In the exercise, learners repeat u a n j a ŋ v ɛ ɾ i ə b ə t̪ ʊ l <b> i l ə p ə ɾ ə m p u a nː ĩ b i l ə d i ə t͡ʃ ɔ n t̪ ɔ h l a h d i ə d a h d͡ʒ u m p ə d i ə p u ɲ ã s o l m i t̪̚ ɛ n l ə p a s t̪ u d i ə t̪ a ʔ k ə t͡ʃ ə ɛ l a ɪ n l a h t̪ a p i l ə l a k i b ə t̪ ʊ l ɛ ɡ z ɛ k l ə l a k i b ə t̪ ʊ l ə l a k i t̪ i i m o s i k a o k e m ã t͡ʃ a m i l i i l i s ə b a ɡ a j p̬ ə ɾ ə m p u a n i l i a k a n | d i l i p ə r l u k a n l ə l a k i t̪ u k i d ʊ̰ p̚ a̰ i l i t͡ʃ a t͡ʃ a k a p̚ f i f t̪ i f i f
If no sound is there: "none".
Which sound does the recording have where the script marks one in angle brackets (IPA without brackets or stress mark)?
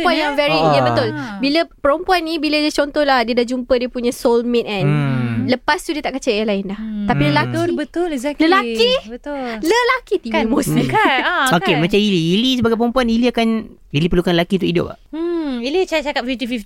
b